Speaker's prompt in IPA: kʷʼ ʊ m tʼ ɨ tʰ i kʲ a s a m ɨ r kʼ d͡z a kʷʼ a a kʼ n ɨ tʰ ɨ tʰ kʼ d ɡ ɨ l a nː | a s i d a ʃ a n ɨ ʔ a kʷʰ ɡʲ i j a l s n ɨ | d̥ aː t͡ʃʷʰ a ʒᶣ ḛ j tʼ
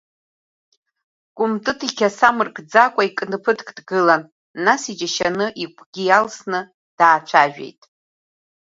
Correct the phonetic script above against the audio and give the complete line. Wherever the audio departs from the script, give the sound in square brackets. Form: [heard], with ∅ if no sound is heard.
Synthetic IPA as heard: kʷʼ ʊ m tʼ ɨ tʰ i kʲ a s a m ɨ r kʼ d͡z a kʷʼ a [i] kʼ n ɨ [pʰ] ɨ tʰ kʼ d ɡ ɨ l a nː | a s i [d͡ʒ] a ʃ a n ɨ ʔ [i] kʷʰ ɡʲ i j a l s n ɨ | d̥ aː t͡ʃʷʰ a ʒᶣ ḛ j tʼ